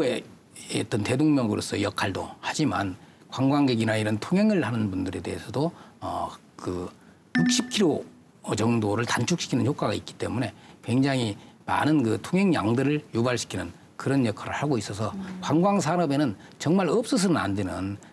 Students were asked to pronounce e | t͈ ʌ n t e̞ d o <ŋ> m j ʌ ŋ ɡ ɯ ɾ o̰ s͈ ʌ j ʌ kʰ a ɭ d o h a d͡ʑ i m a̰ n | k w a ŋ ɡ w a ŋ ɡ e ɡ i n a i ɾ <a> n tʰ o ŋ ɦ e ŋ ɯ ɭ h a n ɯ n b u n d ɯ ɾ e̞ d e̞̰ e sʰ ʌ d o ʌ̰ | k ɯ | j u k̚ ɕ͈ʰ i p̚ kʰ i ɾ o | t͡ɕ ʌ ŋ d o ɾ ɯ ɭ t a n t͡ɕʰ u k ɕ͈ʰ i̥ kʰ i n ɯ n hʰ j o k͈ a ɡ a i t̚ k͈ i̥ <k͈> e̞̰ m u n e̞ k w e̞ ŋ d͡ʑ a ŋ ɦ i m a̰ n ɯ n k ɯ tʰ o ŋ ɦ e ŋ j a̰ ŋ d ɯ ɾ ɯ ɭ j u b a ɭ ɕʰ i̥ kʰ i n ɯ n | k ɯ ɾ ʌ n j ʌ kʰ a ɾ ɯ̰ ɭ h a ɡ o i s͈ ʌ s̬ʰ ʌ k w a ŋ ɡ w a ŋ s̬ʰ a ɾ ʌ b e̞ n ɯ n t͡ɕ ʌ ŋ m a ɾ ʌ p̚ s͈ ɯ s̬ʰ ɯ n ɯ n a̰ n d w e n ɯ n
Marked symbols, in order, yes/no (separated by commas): yes, no, no